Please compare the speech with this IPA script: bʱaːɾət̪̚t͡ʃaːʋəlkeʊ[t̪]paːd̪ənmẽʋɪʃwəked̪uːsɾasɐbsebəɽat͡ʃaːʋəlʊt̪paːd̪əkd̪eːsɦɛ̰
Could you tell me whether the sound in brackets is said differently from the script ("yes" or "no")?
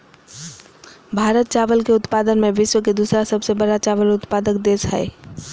no